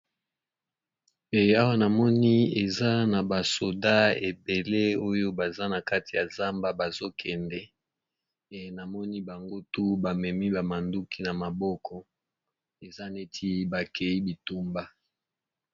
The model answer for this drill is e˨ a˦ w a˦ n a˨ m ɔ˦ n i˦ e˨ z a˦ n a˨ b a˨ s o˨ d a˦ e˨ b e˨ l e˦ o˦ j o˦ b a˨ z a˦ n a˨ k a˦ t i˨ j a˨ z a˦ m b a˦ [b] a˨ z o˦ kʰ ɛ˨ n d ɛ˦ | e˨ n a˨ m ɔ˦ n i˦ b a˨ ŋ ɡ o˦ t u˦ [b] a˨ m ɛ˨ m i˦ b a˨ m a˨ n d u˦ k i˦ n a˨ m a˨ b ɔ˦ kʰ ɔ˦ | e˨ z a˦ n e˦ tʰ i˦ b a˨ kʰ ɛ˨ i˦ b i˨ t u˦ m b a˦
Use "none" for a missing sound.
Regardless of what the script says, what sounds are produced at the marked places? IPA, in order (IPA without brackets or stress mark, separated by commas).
b, b